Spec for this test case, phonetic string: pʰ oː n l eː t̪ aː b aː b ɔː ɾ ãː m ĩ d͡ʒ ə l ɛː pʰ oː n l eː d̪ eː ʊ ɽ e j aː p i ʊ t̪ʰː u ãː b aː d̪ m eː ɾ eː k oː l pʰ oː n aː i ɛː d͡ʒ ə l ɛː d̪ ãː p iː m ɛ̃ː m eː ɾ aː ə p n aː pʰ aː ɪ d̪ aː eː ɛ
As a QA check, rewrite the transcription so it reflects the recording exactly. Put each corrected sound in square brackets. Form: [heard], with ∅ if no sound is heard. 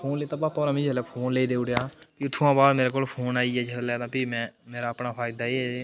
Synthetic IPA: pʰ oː n l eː t̪ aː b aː [p] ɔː ɾ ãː m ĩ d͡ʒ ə l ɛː pʰ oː n l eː d̪ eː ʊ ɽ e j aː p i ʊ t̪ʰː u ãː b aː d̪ m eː ɾ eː k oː l pʰ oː n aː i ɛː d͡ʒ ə l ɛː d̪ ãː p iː m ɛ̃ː m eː ɾ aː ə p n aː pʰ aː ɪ d̪ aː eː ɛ